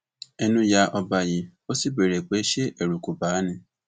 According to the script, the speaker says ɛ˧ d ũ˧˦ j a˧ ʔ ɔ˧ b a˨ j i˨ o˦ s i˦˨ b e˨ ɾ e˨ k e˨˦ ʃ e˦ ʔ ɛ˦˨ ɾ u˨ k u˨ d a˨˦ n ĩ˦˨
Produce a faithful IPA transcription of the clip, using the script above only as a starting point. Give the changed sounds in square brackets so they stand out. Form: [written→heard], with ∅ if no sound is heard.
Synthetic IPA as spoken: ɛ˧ [d→n] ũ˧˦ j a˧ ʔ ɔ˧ b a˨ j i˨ o˦ s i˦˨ b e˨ ɾ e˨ [k→k͡p] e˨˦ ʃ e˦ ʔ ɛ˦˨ ɾ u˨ k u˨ [d→b] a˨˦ n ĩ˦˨